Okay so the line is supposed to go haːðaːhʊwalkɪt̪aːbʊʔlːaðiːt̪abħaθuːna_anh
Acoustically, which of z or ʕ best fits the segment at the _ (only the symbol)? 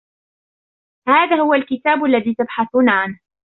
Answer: ʕ